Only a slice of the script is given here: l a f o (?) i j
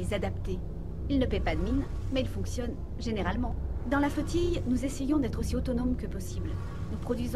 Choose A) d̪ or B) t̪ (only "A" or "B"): B